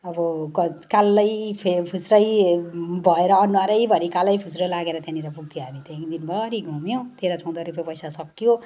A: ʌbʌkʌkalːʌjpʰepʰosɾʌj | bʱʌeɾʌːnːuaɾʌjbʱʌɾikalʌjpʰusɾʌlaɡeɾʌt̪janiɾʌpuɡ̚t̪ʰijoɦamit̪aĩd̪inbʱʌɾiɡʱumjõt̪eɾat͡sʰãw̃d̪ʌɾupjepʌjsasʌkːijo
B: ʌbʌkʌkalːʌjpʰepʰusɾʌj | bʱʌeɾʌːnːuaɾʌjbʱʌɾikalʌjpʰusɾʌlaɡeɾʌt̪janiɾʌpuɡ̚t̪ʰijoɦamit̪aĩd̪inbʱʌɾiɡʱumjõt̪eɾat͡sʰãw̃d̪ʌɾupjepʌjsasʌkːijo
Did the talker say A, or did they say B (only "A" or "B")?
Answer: B